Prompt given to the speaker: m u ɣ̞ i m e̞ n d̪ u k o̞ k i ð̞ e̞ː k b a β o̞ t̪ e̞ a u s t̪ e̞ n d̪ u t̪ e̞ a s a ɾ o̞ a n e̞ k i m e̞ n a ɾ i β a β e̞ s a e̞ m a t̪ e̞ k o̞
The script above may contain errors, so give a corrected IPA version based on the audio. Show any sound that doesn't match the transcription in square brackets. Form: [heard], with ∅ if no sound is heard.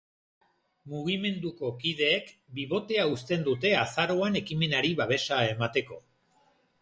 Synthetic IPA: m u ɣ̞ i m e̞ n d̪ u k o̞ k i ð̞ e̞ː k b [i] β o̞ t̪ e̞ a u s t̪ e̞ n d̪ u t̪ e̞ a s a ɾ o̞ a n e̞ k i m e̞ n a ɾ i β a β e̞ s a e̞ m a t̪ e̞ k o̞